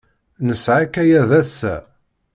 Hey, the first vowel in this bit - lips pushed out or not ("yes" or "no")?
no